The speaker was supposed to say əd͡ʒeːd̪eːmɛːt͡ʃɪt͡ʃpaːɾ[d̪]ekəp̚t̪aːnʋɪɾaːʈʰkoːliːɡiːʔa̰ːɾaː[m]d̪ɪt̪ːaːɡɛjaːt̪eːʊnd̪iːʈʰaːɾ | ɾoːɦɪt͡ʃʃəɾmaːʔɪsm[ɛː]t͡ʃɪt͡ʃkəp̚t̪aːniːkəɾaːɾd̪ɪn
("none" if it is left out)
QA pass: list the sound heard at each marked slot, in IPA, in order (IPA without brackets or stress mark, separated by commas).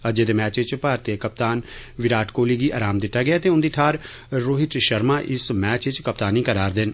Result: t̪, m, ɛː